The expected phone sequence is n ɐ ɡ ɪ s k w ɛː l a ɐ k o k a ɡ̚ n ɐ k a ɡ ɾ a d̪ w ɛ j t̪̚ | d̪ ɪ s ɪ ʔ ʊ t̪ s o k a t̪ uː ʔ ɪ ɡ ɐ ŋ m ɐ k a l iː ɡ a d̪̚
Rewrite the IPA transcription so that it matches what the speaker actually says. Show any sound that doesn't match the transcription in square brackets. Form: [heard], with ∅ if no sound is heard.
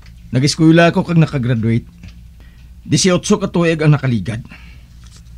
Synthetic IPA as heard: n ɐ ɡ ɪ s k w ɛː l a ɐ k o k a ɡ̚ n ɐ k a ɡ ɾ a d̪ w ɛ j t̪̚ | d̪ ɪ s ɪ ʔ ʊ t̪ s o k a t̪ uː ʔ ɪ ɡ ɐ ŋ [n] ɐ k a l iː ɡ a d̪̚